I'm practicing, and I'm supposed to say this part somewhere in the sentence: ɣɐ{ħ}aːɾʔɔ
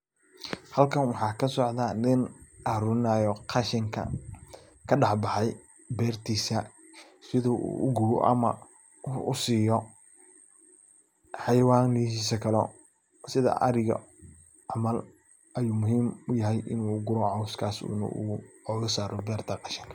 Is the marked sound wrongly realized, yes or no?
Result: yes